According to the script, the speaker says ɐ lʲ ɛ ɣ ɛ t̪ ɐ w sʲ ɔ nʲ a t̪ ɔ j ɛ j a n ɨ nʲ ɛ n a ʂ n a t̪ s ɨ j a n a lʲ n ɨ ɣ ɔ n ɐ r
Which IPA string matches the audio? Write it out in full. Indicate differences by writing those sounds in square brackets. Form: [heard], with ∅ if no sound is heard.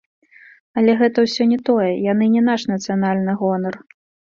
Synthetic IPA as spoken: ɐ lʲ ɛ ɣ ɛ t̪ ɐ w sʲ ɔ nʲ [ɛ] t̪ ɔ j ɛ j a n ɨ nʲ ɛ n a ʂ n [ɐ] t̪ s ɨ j a n a lʲ n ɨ ɣ ɔ n ɐ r